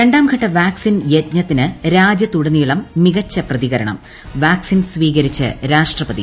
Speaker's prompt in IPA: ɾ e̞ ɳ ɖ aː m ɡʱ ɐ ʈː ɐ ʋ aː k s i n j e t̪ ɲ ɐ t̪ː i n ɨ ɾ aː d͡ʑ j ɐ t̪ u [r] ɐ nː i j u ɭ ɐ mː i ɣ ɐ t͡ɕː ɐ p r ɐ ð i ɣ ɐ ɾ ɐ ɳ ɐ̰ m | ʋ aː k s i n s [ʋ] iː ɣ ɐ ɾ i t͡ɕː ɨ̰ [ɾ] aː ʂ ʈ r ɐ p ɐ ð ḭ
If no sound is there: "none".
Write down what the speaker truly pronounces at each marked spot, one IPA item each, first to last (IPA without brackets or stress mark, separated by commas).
ɽ, ʋ, ɾ